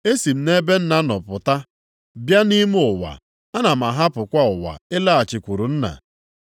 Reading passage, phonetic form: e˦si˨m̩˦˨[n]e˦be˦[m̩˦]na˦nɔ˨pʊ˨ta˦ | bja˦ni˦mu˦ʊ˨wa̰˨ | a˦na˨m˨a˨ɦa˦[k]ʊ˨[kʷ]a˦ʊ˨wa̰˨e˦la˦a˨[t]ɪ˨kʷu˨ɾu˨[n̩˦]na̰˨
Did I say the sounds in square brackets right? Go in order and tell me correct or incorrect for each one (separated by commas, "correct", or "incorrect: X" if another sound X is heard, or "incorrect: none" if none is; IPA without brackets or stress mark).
correct, incorrect: n̩˦, incorrect: p, correct, incorrect: t͡ʃ, correct